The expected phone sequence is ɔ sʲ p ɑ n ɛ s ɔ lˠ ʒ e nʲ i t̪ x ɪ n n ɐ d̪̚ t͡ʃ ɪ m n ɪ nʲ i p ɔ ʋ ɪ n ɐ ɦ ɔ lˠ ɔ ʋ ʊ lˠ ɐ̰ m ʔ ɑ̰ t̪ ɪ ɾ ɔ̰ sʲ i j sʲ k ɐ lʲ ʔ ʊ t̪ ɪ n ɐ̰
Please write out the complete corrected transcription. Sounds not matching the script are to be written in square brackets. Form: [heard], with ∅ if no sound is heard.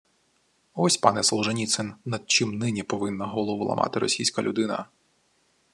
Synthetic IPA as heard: ɔ sʲ p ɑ n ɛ s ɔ lˠ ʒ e nʲ i t̪ [s] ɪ n n ɐ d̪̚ t͡ʃ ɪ m n ɪ nʲ i p ɔ ʋ ɪ [nː] ɐ ɦ ɔ lˠ ɔ ʋ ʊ lˠ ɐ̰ m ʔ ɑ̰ t̪ ɪ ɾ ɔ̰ sʲ i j sʲ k ɐ lʲ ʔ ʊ [d̪] ɪ n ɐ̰